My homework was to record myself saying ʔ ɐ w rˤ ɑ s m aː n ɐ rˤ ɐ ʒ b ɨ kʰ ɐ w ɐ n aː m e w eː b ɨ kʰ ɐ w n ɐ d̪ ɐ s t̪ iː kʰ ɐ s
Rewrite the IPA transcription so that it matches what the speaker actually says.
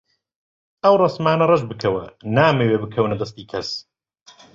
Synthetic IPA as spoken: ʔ ɐ w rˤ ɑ s m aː n ɐ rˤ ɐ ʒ b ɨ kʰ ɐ w ɐ n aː m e w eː b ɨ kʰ ɐ w n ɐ d̪ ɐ s t̪ iː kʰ ɐ s